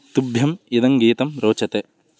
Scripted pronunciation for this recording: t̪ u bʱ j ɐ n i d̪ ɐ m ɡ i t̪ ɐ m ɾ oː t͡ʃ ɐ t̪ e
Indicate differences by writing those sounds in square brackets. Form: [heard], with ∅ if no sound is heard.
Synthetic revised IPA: t̪ u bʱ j ɐ [m] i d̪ ɐ [ŋ] ɡ [iː] t̪ ɐ m ɾ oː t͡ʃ ɐ t̪ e